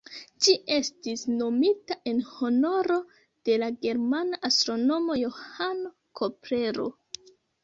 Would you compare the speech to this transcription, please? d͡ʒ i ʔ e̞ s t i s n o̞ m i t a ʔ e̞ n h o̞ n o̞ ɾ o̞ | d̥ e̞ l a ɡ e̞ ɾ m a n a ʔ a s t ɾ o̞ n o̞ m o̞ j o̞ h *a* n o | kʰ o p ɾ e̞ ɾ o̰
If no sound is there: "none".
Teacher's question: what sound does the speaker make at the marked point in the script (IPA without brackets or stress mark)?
a